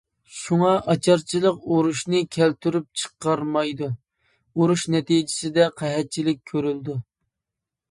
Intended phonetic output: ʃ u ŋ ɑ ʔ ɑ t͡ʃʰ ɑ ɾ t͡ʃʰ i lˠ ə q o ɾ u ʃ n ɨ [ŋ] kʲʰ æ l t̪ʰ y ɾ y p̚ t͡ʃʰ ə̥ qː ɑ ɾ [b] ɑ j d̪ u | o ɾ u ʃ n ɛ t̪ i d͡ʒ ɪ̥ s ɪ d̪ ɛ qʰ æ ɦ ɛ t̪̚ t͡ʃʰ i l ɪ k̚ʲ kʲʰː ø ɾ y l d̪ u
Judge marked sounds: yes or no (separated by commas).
no, no